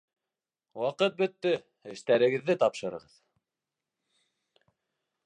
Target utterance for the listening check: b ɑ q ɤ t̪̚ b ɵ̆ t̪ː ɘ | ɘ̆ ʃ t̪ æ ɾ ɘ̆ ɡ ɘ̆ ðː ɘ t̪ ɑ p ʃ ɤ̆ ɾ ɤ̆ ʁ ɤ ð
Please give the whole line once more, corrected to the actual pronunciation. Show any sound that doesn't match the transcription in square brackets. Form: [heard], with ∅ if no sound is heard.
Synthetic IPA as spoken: [w] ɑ q ɤ t̪̚ b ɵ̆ t̪ː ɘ | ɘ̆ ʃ t̪ æ ɾ ɘ̆ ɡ ɘ̆ ðː ɘ t̪ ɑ p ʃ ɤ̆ ɾ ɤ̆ ʁ ɤ ð